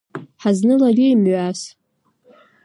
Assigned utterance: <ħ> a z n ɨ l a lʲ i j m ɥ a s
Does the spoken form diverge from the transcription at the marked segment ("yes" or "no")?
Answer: no